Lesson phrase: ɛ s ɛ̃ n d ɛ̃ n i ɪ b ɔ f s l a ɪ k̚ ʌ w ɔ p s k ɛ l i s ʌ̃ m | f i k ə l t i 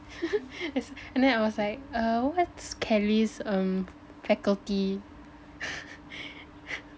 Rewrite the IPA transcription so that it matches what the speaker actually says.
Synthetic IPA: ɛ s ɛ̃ n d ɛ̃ n a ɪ w ɔ s l a ɪ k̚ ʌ w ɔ t s kʰ ɛ l i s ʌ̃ m | f ɛ k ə l t i